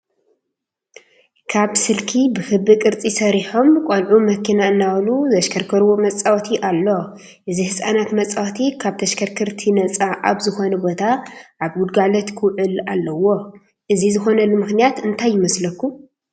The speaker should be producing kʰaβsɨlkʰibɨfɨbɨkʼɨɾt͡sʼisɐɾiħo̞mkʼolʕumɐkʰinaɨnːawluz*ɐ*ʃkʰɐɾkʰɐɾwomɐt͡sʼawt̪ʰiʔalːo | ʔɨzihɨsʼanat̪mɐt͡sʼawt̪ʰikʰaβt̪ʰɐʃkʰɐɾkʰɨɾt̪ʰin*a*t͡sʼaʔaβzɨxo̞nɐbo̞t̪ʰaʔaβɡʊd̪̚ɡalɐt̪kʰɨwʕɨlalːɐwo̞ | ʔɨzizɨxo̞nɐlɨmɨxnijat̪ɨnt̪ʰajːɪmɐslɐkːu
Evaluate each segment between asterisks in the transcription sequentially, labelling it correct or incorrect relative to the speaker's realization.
correct, incorrect: ɐ

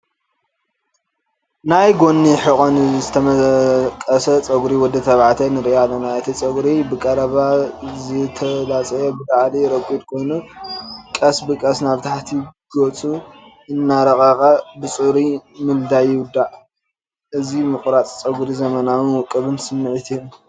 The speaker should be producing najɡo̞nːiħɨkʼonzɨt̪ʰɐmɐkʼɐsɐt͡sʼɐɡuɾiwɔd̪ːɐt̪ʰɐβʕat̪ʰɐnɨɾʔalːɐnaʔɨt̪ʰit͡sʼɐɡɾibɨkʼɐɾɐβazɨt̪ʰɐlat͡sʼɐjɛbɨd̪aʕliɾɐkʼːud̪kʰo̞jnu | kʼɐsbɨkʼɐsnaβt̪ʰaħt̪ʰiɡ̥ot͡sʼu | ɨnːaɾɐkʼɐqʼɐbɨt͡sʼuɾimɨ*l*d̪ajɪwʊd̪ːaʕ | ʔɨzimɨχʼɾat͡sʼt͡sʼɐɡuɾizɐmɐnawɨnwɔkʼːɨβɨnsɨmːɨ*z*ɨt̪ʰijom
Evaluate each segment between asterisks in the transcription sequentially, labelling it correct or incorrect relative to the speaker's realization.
correct, incorrect: ʕ

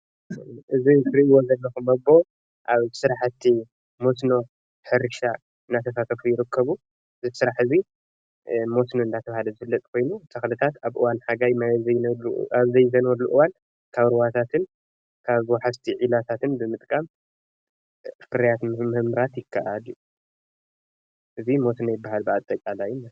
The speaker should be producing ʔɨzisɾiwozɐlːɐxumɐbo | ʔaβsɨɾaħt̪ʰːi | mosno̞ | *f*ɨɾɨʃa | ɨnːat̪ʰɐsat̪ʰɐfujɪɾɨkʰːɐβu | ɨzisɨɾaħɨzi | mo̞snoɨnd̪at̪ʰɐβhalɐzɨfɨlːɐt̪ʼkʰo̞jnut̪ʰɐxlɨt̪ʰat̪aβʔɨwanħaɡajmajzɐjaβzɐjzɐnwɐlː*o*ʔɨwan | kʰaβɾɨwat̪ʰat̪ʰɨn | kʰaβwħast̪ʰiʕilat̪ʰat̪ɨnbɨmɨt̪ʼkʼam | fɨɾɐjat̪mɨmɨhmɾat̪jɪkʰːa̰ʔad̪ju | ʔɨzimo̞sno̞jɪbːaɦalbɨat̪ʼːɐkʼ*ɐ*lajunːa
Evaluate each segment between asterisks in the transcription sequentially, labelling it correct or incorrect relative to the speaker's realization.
incorrect: ħ, incorrect: u, incorrect: a

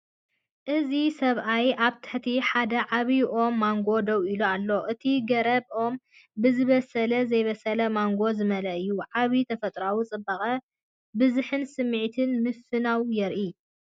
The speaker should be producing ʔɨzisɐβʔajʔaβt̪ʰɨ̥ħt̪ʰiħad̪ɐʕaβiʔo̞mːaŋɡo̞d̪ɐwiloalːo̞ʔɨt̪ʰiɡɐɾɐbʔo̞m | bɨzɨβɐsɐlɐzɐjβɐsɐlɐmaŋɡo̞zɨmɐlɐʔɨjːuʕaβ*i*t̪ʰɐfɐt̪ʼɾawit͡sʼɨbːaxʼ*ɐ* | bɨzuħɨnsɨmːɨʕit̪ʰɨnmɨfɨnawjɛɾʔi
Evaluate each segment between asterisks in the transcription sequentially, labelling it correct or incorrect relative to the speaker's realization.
correct, correct

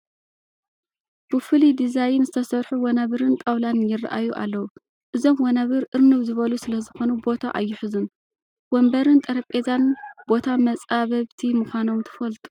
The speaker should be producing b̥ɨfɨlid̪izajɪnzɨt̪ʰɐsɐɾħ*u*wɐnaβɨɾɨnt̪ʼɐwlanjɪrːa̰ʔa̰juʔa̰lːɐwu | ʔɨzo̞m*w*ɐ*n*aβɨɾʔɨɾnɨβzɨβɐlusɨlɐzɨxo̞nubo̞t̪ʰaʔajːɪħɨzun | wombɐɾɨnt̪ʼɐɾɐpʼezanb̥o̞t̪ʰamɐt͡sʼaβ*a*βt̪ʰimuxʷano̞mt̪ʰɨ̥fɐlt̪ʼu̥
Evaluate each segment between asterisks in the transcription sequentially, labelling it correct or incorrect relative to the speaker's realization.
correct, correct, correct, incorrect: ɐ

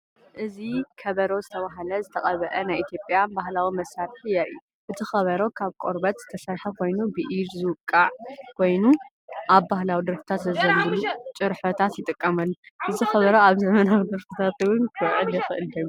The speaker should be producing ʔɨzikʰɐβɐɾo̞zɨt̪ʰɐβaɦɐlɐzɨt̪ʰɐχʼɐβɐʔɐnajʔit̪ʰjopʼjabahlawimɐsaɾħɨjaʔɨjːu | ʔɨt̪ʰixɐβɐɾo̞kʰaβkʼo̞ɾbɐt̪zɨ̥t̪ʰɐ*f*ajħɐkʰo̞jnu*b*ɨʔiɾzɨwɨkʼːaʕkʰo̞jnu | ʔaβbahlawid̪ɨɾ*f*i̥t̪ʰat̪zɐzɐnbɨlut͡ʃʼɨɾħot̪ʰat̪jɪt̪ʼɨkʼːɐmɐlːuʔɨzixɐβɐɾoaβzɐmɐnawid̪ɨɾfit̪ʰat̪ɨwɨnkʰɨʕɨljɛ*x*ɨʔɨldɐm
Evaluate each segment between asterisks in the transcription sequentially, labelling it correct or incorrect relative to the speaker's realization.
incorrect: s, correct, correct, correct

